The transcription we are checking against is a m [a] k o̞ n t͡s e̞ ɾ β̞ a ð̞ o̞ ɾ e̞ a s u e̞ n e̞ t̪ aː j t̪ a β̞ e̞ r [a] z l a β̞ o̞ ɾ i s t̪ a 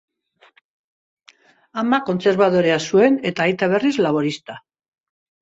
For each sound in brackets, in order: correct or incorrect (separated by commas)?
correct, incorrect